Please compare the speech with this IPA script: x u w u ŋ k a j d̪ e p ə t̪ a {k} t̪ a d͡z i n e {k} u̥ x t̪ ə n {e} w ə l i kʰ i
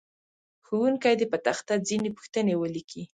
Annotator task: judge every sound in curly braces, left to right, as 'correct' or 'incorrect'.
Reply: incorrect, incorrect, correct

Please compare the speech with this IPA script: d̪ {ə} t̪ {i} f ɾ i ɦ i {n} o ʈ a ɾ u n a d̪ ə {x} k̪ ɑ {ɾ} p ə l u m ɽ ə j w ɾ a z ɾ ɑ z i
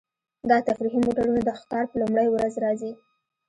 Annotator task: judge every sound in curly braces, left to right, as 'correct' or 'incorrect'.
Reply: incorrect, incorrect, incorrect, correct, correct

